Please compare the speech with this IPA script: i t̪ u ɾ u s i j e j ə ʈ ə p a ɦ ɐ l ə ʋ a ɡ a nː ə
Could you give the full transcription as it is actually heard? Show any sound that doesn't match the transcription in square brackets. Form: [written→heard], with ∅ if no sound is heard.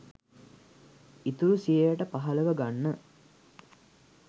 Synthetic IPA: i t̪ u ɾ u s i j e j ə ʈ ə p a ɦ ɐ l ə ʋ [a→ə] ɡ a nː ə